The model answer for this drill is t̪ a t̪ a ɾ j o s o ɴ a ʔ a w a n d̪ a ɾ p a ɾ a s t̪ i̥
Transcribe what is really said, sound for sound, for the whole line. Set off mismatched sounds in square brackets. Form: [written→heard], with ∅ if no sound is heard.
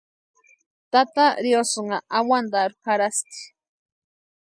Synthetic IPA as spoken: t̪ a t̪ a ɾ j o s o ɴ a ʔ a w a n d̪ a ɾ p a ɾ a s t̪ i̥